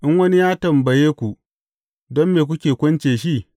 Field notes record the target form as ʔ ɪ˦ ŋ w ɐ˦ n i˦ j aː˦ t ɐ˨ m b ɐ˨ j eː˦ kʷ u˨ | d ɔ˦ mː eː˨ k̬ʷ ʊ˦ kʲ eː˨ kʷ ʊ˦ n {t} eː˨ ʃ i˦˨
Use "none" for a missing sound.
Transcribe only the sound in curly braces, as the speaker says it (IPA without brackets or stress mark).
t͡ʃ